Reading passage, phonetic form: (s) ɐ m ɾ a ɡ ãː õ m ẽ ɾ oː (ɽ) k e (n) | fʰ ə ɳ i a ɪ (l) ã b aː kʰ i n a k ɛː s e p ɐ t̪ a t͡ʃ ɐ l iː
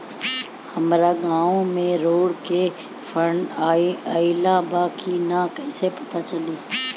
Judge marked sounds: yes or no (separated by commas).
no, yes, no, yes